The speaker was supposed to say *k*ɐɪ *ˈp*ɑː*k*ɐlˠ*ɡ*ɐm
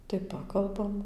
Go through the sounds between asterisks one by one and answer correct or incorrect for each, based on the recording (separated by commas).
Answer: incorrect, correct, correct, incorrect